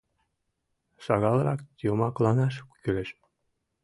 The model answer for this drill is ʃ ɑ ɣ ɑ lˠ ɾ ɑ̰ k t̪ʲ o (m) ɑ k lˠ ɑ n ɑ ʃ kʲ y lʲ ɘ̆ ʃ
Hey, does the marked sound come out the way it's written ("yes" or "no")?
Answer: yes